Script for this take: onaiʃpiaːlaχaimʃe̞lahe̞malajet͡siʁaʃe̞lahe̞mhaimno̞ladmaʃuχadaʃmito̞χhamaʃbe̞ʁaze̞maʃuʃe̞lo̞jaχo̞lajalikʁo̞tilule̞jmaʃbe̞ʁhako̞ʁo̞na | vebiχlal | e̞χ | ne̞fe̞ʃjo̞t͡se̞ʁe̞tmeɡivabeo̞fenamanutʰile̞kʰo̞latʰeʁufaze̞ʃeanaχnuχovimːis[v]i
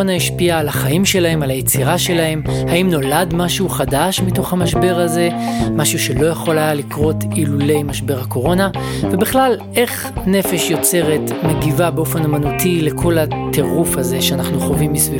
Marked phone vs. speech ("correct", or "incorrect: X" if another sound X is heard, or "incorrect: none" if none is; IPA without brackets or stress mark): correct